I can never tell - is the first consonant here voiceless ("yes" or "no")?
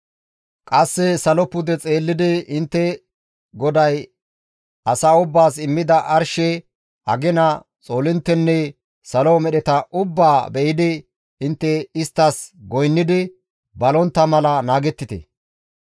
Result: yes